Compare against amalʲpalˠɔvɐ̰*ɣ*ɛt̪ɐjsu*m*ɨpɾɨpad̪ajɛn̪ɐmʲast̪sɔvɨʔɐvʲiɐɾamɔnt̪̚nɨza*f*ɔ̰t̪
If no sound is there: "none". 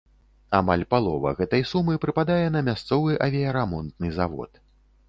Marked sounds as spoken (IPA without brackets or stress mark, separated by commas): ɣ, m, v